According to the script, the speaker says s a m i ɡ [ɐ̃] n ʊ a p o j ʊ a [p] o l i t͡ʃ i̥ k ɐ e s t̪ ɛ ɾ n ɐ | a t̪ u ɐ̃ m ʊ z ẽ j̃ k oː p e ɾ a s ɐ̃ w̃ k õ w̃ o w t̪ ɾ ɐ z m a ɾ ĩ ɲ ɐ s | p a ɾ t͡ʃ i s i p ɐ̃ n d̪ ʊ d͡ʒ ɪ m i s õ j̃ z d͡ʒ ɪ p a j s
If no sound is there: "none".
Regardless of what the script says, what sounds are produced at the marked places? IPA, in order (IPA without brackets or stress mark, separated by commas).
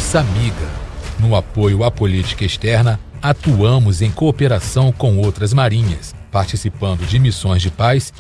ɐ, p